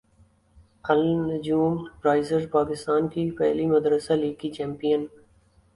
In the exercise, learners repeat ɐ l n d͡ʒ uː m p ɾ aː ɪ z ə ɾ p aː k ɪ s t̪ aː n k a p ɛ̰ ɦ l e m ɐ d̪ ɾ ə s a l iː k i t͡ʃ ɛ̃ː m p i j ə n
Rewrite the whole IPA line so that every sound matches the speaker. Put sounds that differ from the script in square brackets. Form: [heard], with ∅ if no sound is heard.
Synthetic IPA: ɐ l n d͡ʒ uː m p ɾ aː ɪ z ə ɾ p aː k ɪ s t̪ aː n k [i] p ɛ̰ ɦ l [i] m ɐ d̪ ɾ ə s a l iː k i t͡ʃ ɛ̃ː m p i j ə n